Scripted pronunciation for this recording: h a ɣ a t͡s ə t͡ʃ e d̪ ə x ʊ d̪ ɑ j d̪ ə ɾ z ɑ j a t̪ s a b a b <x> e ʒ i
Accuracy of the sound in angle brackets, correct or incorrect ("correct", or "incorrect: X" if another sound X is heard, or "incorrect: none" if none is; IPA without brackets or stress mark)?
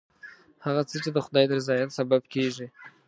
incorrect: k